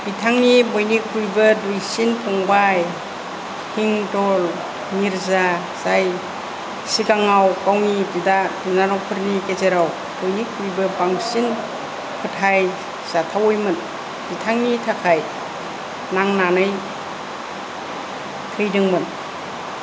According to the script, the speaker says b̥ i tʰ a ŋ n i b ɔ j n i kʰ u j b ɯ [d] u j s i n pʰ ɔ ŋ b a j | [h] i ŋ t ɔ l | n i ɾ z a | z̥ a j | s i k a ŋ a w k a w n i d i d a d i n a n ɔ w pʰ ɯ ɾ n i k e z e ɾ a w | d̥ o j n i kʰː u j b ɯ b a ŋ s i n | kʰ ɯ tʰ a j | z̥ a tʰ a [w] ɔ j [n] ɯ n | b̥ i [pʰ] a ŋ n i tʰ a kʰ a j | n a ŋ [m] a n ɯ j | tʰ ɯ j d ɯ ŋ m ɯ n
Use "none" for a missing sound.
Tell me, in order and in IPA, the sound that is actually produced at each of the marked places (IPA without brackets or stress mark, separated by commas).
d, h, w, m, tʰ, n